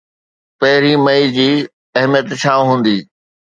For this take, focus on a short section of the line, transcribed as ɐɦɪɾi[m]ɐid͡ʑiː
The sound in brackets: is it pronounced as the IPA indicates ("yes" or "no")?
yes